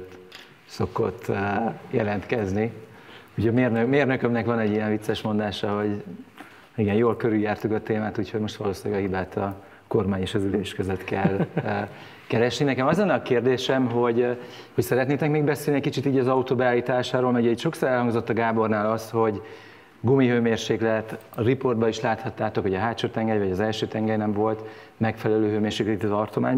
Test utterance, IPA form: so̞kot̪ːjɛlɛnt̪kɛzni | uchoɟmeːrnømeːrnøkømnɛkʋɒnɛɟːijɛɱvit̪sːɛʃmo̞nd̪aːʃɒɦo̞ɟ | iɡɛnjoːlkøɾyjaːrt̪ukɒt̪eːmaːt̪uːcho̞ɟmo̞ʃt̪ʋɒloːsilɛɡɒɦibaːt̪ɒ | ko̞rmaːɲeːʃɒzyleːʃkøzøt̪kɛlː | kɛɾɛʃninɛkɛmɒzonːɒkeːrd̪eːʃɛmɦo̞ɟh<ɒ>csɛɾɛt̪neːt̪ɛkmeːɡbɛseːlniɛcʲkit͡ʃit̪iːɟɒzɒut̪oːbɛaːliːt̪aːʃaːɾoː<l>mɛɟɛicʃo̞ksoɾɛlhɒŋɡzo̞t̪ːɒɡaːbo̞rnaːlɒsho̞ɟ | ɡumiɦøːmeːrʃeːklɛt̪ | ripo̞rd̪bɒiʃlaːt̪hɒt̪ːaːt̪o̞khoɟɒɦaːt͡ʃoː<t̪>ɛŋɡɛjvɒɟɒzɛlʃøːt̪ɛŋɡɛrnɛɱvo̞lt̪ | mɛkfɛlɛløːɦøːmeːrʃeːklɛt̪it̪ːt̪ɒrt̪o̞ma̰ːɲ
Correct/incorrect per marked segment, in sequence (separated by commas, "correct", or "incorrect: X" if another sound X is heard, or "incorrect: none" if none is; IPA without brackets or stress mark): incorrect: o, correct, correct